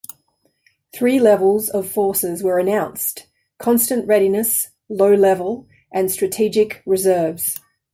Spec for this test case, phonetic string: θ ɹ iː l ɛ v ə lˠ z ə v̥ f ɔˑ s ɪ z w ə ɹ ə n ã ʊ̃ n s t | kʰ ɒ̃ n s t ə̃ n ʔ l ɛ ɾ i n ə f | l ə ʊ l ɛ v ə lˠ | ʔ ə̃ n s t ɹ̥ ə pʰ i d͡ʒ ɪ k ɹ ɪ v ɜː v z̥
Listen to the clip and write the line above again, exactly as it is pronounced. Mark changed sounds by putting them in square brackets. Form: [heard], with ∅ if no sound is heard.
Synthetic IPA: θ ɹ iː l ɛ v ə lˠ z ə v̥ f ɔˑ s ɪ z w ə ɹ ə n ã ʊ̃ n s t | kʰ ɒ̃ n s t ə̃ n ʔ [ɹ] ɛ ɾ i n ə [s] | l ə ʊ l ɛ v ə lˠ | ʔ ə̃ n s t ɹ̥ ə [tʰ] i d͡ʒ ɪ k ɹ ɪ [z] ɜː v z̥